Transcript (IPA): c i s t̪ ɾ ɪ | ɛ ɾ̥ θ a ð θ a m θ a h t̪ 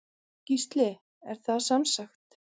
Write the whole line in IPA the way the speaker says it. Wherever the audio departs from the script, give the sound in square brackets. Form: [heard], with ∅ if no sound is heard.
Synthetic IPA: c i s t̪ [l] ɪ | ɛ ɾ̥ θ a ð [s] a m [s] a [x] t̪

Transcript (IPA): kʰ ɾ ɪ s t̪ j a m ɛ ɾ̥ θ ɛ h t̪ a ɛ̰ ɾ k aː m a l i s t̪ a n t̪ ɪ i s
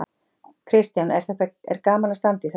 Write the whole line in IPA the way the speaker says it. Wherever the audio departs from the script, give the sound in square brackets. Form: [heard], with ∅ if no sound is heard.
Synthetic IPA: kʰ ɾ ɪ s t̪ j a [n] ɛ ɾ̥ θ ɛ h t̪ a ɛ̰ ɾ k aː m a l [a] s t̪ a n t̪ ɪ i [θ]

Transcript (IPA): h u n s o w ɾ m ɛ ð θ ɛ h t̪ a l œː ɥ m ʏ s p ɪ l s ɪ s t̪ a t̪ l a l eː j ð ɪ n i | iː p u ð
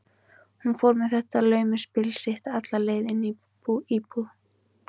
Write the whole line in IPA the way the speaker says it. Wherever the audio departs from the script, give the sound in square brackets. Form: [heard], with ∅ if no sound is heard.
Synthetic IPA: h u n [f] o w ɾ m ɛ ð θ ɛ h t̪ a l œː ɥ m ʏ s p ɪ l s ɪ [h] t̪ a t̪ l a l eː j ð ɪ n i | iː p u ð

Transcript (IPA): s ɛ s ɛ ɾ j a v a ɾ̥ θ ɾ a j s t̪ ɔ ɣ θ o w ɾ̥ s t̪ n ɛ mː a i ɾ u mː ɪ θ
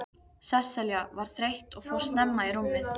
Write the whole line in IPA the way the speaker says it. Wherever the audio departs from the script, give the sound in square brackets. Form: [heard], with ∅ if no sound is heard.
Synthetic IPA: s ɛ s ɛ [l] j a v a ɾ̥ θ ɾ [e] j [h] t̪ ɔ ɣ [f] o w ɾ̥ s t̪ n ɛ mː a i ɾ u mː ɪ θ

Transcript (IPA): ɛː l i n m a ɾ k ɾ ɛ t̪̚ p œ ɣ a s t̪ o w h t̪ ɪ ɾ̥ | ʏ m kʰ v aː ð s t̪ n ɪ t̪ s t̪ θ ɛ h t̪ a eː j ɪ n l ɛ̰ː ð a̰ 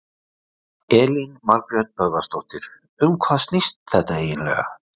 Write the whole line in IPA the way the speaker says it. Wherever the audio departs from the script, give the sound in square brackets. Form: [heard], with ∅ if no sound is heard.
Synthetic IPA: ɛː l i n m a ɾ k ɾ ɛ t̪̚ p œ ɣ a s t̪ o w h t̪ ɪ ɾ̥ | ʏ m kʰ v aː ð s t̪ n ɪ [∅] s t̪ θ ɛ h t̪ a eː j ɪ n l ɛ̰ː [ɣ] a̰

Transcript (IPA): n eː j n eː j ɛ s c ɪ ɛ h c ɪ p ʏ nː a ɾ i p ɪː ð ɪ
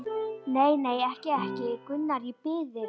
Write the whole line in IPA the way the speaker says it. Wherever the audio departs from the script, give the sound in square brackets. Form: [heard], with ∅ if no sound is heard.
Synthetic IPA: n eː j n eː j ɛ [h] c ɪ ɛ h c ɪ [k] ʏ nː a ɾ i p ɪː ð ɪ

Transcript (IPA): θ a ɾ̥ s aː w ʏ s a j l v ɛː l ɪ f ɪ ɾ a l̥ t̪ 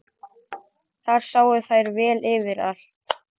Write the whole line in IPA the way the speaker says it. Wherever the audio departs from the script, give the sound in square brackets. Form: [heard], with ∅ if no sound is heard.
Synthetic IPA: θ a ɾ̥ s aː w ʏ [θ] a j [ɾ] v ɛː l ɪ [v] ɪ ɾ a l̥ t̪

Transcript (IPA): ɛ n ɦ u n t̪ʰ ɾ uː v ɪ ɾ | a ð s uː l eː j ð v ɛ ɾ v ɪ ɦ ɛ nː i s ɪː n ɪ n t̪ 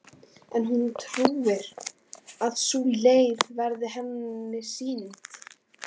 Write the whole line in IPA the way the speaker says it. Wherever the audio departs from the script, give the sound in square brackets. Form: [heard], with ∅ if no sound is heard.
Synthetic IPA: ɛ n ɦ u n t̪ʰ ɾ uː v ɪ ɾ | a ð s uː l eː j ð v ɛ ɾ [ð] ɪ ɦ ɛ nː [ɪ] s [iː] n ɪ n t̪

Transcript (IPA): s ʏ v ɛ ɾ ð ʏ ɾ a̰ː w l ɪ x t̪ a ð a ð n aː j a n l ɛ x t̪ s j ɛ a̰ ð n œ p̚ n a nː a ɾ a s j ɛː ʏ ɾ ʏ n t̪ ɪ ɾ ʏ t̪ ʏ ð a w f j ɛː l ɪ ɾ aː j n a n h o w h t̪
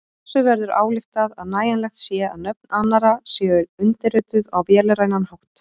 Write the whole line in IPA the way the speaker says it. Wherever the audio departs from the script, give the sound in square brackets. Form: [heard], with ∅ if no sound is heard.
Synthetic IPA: s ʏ v ɛ ɾ ð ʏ ɾ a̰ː w l ɪ x t̪ a ð a ð n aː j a n l ɛ x t̪ s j ɛ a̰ ð n œ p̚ n a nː a ɾ a s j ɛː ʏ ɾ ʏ n t̪ ɪ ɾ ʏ t̪ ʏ ð a w [v] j ɛː l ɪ ɾ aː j n a n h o w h t̪

